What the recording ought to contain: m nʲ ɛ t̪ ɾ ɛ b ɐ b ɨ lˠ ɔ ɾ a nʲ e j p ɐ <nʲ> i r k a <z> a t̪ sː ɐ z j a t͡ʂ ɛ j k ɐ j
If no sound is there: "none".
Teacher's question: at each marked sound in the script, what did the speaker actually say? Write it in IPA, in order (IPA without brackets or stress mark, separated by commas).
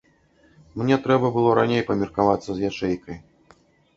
mʲ, v